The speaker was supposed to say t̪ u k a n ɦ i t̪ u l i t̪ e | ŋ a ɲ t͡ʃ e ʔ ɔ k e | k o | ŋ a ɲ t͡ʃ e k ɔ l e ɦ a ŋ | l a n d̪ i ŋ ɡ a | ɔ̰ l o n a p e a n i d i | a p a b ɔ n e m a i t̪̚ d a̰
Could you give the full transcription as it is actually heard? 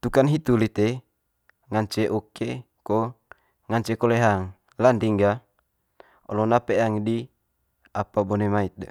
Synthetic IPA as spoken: t̪ u k a n ɦ i t̪ u l i t̪ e | ŋ a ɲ t͡ʃ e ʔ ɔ k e | k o | ŋ a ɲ t͡ʃ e k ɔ l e ɦ a ŋ | l a n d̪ i ŋ ɡ a | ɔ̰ l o n a p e a ŋ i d i | a p a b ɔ n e m a i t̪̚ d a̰